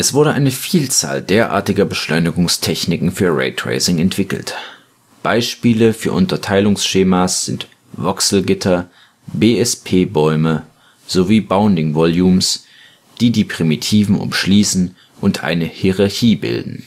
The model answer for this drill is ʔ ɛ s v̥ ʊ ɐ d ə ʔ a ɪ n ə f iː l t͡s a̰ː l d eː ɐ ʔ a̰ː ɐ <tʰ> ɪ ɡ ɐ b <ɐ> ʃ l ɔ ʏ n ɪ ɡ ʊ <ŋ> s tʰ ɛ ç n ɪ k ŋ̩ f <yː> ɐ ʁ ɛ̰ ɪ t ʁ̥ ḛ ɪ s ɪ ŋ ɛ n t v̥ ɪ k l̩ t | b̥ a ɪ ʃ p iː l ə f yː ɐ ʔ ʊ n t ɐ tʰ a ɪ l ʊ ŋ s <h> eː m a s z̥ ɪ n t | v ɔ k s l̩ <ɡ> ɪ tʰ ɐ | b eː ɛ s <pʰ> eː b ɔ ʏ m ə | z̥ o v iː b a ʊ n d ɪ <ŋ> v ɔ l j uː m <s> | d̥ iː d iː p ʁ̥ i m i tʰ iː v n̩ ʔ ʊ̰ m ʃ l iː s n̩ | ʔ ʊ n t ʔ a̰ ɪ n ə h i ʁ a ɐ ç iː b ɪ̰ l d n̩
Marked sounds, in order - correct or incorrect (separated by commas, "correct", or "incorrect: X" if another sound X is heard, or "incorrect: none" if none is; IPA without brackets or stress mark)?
incorrect: t, incorrect: ə, correct, correct, incorrect: ʃ, correct, correct, correct, correct